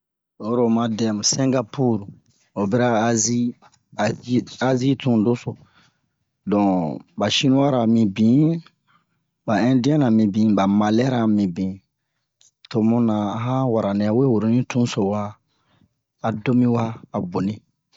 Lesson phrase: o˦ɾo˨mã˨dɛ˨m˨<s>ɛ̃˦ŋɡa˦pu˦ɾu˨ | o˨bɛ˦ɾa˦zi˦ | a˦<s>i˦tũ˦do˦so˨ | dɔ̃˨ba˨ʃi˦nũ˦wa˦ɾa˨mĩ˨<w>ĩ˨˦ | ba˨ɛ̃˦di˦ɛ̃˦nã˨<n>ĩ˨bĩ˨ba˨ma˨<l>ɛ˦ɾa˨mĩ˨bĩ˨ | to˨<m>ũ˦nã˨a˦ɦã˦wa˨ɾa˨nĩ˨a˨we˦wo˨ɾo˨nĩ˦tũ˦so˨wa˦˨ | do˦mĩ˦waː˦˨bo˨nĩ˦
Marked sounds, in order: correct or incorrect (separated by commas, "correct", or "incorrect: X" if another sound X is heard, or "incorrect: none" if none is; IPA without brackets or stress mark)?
correct, incorrect: z, incorrect: b, incorrect: m, correct, correct